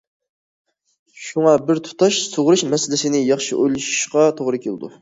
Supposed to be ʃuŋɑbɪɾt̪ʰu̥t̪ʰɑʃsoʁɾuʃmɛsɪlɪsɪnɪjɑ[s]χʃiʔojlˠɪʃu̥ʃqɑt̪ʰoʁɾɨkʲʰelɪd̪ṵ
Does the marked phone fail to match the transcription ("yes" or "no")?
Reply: yes